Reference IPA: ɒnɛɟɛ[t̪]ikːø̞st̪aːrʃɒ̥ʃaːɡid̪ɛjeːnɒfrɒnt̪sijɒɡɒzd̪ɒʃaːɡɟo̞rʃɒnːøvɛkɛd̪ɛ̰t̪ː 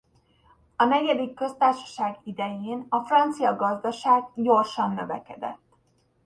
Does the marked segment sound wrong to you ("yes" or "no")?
yes